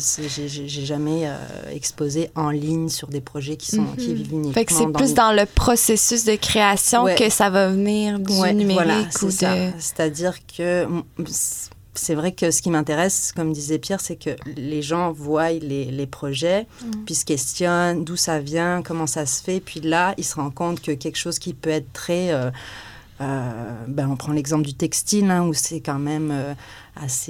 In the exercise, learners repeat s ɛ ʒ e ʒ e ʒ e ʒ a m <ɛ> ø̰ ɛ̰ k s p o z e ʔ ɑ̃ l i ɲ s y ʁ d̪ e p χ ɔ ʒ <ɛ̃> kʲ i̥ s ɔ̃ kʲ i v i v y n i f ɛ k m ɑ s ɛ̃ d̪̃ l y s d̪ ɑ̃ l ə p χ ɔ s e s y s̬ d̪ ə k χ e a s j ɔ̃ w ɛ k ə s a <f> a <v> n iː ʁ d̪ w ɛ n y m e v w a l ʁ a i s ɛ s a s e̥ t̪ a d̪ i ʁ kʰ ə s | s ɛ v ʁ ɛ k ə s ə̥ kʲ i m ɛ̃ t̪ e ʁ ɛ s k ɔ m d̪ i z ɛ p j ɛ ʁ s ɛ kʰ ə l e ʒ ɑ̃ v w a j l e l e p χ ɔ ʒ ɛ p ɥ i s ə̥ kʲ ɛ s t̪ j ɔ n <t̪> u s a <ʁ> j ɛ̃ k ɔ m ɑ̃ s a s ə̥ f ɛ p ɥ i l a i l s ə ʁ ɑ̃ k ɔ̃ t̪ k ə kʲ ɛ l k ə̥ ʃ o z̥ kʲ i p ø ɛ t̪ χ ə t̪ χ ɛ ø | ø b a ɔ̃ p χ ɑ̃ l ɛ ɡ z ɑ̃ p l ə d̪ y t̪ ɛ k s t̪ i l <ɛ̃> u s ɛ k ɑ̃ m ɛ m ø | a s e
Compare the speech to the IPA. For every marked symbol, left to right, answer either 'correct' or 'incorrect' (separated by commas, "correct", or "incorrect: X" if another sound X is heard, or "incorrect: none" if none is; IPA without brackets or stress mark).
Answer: correct, incorrect: ɛ, incorrect: v, correct, incorrect: d̪, incorrect: v, correct